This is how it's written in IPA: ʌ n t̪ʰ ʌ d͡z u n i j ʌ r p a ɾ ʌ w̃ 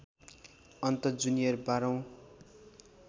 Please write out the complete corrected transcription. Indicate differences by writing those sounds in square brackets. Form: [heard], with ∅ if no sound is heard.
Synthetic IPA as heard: ʌ n [t̪] ʌ d͡z u n i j ʌ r [b] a ɾ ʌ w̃